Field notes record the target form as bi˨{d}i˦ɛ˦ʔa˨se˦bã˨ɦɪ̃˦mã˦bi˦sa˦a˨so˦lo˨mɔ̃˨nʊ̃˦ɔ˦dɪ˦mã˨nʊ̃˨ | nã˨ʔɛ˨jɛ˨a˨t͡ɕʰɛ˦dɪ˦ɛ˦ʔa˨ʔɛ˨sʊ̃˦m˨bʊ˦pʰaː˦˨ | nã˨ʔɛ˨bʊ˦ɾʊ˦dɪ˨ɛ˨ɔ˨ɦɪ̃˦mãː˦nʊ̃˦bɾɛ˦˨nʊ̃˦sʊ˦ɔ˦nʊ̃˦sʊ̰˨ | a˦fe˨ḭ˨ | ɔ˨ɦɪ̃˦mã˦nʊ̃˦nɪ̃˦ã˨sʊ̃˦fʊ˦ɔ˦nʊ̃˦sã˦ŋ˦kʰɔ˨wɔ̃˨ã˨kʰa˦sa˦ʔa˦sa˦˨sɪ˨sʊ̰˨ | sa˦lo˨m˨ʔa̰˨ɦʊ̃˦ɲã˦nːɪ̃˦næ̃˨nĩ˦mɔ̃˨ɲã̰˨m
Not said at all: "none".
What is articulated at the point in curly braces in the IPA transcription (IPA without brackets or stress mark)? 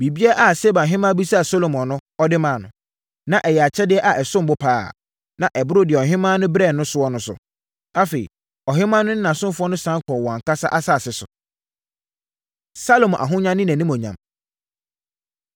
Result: b